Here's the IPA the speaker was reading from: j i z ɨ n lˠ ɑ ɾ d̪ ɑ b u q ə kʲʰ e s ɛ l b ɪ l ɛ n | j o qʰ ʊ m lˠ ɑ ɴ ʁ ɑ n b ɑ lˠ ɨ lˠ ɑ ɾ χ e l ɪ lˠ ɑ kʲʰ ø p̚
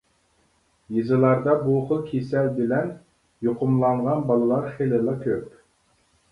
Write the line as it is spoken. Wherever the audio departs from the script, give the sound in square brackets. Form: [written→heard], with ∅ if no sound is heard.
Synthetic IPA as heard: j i z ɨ [n→∅] lˠ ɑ ɾ d̪ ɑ b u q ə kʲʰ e s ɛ l b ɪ l ɛ n | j o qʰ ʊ m lˠ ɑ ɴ ʁ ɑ n b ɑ lˠ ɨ lˠ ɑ ɾ χ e l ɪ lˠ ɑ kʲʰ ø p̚